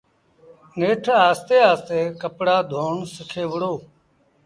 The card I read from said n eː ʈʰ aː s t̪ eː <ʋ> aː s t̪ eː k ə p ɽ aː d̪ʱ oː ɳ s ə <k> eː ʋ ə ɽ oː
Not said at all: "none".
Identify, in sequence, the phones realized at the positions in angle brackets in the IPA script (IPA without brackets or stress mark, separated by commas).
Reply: none, kʰ